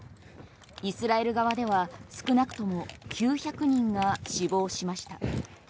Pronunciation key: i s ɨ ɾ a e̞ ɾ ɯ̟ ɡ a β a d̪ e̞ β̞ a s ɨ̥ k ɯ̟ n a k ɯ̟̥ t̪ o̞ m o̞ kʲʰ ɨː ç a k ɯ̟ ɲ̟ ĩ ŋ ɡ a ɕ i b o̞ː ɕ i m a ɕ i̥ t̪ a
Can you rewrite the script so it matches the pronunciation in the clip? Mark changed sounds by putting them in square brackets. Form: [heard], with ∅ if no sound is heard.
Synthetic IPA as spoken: i s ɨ ɾ a e̞ ɾ ɯ̟ ɡ a β a d̪ e̞ β̞ a s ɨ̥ k ɯ̟ n a k ɯ̟̥ t̪ o̞ m o̞ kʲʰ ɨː ç a k ɯ̟ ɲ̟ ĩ ŋ ɡ a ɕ i b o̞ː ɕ i m a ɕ i̥ t̪ a